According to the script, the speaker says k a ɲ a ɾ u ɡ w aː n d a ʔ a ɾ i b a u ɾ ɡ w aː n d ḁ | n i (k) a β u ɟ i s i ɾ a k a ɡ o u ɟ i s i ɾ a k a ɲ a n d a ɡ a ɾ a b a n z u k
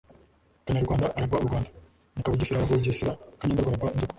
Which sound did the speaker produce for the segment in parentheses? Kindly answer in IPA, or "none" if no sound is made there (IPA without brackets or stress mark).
k